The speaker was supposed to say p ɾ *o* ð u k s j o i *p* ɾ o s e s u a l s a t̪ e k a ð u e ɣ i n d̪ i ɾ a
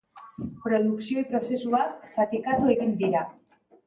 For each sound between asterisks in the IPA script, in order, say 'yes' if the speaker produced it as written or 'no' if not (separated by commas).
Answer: yes, yes